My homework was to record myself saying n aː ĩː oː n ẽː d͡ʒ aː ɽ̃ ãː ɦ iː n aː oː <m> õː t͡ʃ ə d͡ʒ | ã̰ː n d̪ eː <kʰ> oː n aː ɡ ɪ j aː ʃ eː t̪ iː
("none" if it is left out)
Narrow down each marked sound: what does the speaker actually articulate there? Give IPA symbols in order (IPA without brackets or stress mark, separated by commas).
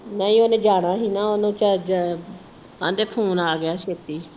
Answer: n, pʰ